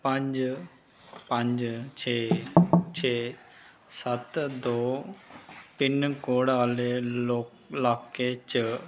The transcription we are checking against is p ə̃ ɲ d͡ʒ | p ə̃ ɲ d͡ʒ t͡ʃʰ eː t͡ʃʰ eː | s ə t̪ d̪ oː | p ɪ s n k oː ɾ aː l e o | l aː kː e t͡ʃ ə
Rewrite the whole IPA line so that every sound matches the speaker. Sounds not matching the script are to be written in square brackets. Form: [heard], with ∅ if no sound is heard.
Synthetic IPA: p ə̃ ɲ d͡ʒ | p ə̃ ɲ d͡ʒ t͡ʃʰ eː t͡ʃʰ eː | s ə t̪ d̪ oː | p ɪ [∅] n k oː [ɽ] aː l e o | l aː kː e t͡ʃ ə